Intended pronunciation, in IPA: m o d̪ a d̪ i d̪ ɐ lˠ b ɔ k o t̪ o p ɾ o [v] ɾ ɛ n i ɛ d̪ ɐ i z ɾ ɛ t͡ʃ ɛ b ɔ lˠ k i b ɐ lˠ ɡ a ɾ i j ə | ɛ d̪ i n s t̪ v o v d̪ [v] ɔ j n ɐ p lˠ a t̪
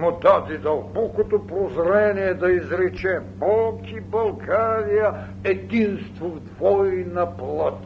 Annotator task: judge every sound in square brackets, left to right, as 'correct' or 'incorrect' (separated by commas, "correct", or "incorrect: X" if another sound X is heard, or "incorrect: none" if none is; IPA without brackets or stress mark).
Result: incorrect: z, correct